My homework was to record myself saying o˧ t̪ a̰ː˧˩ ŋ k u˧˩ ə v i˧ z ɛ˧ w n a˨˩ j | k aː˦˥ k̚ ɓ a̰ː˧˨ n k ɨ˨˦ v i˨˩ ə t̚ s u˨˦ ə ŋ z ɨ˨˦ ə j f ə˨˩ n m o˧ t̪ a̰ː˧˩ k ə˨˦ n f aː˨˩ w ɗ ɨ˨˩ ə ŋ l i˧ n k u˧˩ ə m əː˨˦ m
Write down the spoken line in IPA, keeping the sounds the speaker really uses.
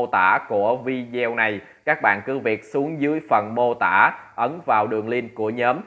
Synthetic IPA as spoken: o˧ t̪ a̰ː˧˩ k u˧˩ ə v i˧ z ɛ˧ w n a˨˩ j | k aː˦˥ k̚ ɓ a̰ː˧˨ n k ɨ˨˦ v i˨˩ ə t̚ s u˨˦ ə ŋ z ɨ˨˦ ə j f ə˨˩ n m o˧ t̪ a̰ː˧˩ ʔ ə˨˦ n v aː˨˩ w ɗ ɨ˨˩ ə ŋ l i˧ n k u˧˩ ə ɲ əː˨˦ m